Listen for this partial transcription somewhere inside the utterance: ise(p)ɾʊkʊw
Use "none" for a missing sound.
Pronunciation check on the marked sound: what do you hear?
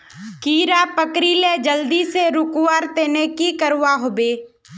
none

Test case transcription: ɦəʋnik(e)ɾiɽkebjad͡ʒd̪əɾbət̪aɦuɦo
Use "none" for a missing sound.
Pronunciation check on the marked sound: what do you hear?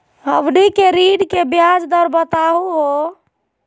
e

